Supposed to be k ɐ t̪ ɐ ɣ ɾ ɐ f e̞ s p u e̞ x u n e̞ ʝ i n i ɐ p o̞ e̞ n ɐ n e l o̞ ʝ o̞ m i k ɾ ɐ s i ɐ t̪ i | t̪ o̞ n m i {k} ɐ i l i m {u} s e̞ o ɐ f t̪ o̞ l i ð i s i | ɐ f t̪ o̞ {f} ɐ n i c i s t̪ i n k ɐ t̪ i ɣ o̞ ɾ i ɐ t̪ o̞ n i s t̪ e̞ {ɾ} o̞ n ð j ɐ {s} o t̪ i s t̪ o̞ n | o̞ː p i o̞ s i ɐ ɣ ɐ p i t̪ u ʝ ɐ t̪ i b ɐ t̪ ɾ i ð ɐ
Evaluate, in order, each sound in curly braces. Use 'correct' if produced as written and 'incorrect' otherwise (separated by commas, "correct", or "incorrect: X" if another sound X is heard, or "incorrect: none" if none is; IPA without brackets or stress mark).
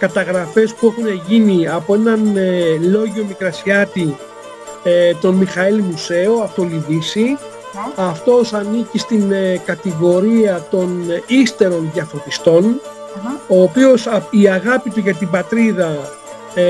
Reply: incorrect: x, correct, incorrect: s, correct, incorrect: f